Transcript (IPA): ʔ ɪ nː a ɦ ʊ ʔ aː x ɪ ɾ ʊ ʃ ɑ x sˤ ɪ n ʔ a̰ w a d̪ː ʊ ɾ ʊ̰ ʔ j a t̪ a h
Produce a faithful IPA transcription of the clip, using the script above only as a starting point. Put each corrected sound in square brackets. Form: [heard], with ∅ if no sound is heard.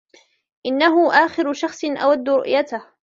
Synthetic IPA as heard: ʔ ɪ nː a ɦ ʊ ʔ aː x ɪ ɾ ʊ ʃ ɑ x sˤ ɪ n ʔ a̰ w a d̪ː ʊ ɾ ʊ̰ ʔ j a t̪ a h